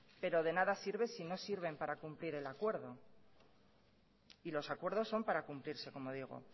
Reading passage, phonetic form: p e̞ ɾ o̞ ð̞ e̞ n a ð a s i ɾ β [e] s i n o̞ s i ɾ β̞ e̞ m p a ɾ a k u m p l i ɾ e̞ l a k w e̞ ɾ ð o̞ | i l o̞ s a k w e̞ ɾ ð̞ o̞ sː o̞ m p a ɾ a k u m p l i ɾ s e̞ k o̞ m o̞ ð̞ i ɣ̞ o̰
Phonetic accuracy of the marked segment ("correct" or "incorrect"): correct